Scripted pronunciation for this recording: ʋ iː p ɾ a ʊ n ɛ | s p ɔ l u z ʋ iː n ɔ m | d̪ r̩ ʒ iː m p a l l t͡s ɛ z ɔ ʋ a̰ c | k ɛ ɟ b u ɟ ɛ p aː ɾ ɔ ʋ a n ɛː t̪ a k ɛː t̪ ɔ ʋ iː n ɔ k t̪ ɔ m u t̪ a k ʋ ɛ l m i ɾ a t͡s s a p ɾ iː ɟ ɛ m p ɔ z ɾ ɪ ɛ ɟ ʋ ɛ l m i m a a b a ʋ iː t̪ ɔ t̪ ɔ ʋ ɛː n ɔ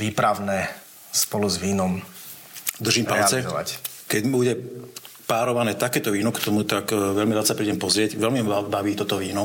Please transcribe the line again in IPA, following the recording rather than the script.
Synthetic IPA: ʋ iː p ɾ a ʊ n ɛ | s p ɔ l u z ʋ iː n ɔ m | d̪ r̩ ʒ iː m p a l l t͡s ɛ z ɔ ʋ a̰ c | k ɛ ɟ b u ɟ ɛ p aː ɾ ɔ ʋ a n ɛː t̪ a k ɛː t̪ ɔ ʋ iː n ɔ k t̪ ɔ m u t̪ a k ʋ ɛ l m i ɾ a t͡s s a p ɾ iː ɟ ɛ m p ɔ z ɾ ɪ ɛ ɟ ʋ ɛ l m i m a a b a ʋ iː t̪ ɔ t̪ ɔ ʋ iː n ɔ